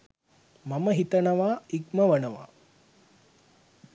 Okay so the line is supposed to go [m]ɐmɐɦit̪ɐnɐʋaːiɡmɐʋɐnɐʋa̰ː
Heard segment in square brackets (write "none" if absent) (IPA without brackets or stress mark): m